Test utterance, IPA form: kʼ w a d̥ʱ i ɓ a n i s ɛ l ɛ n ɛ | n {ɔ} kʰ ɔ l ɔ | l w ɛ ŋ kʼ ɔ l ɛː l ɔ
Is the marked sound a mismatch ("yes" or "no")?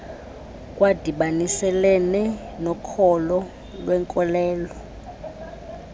no